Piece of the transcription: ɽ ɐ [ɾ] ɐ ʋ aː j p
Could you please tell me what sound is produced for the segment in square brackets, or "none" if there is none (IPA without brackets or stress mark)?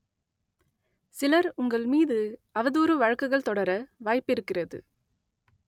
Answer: ɾ